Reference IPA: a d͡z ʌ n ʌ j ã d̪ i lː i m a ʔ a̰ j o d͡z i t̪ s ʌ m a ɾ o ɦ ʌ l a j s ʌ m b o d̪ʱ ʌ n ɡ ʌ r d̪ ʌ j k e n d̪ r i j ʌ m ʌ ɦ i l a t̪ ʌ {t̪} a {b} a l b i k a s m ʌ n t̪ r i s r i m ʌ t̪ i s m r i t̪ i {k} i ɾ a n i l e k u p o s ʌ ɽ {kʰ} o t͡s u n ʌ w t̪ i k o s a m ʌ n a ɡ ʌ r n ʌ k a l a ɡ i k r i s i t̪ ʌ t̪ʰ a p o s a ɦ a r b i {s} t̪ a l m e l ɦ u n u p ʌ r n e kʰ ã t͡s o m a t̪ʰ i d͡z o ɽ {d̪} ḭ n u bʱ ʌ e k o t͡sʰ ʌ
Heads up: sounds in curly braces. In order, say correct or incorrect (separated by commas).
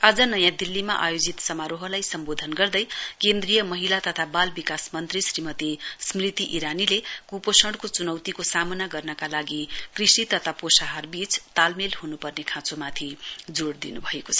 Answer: incorrect, correct, incorrect, incorrect, incorrect, correct